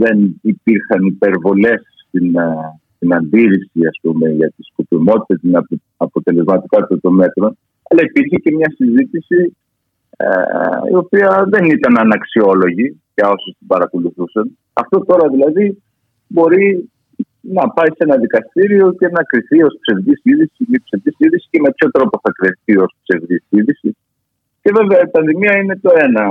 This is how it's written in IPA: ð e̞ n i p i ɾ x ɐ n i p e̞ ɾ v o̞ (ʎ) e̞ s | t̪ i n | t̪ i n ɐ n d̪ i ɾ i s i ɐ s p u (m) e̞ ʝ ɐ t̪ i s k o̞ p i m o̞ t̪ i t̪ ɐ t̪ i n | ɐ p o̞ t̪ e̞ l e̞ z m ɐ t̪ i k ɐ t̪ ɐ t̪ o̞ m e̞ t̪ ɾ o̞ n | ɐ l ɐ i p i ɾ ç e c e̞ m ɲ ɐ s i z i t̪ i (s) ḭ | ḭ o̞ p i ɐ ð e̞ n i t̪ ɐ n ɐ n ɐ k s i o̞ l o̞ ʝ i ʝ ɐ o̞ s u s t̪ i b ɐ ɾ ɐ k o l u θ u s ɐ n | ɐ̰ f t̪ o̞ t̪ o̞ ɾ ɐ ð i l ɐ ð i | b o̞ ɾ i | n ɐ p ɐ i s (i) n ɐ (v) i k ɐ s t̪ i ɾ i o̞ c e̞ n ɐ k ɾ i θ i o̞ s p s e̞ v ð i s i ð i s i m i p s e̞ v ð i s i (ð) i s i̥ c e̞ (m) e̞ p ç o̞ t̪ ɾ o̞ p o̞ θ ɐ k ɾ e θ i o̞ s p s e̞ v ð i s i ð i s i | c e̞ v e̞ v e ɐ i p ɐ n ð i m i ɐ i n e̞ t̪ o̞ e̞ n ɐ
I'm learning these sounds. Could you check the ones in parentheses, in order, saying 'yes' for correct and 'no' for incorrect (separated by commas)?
no, yes, yes, no, no, yes, yes